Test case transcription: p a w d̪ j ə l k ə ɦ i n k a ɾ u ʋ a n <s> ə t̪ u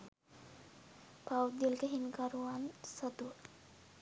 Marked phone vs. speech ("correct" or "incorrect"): correct